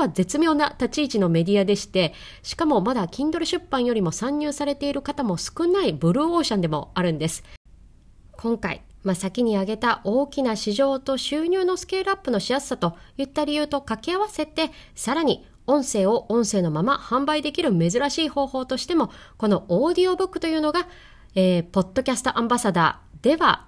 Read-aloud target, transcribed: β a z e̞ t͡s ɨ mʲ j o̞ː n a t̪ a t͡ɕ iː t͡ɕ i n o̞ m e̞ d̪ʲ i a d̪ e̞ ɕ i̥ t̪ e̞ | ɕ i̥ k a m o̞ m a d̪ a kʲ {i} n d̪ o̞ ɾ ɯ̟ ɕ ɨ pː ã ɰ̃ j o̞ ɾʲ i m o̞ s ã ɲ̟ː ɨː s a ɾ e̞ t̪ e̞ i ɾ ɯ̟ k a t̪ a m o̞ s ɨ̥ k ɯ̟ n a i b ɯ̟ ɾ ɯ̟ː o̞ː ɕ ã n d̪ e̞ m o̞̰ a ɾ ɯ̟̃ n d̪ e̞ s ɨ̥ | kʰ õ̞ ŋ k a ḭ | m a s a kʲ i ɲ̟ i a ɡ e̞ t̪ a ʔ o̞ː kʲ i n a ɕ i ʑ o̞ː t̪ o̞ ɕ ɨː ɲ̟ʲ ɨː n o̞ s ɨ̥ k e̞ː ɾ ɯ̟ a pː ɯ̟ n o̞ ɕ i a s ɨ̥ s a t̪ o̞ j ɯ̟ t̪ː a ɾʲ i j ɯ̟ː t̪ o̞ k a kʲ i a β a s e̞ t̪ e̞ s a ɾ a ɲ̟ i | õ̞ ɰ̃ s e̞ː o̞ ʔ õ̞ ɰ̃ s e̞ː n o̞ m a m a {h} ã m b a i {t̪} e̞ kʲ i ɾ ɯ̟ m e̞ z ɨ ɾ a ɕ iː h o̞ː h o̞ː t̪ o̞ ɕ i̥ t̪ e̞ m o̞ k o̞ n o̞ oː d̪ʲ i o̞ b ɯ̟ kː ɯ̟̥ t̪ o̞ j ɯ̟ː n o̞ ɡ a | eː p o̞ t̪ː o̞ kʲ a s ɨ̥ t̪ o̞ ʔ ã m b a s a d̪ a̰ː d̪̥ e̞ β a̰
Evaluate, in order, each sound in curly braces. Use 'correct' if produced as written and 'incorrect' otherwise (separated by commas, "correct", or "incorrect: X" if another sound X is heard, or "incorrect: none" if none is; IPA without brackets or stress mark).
incorrect: ĩ, correct, incorrect: d̪